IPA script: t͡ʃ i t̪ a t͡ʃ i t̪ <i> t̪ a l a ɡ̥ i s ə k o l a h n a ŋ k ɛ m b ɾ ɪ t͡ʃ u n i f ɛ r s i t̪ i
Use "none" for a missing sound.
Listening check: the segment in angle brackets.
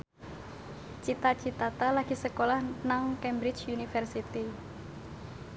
a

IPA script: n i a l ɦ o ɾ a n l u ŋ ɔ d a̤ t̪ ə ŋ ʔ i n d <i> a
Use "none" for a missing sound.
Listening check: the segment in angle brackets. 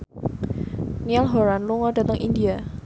i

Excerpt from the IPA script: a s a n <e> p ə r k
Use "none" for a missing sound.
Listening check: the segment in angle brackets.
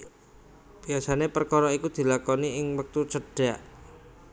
e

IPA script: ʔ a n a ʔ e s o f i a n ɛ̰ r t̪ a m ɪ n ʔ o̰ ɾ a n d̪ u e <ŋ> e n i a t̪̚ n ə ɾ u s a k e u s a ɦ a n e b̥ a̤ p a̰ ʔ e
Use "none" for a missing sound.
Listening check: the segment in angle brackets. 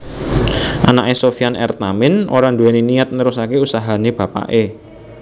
n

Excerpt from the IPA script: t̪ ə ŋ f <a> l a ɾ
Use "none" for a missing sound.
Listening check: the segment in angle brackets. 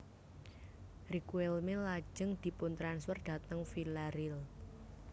i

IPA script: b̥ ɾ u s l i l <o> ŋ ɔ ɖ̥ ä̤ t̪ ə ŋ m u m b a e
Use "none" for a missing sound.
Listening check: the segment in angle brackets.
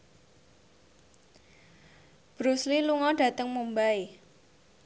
u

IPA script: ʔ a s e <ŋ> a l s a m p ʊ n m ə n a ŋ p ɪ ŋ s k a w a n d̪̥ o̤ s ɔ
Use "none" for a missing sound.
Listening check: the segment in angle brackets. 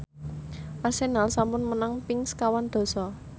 n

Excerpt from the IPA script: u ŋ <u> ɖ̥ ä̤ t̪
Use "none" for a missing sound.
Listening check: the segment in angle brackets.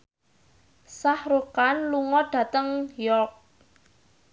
ɔ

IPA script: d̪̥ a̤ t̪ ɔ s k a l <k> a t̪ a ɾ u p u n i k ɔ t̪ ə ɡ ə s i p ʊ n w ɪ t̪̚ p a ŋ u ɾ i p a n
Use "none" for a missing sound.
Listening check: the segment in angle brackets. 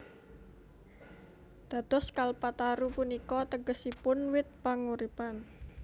p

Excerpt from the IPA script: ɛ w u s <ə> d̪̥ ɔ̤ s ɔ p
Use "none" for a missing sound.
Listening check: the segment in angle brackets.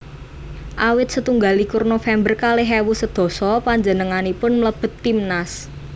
ə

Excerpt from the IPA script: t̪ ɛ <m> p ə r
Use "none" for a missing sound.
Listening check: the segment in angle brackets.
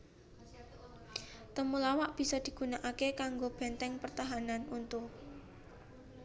ŋ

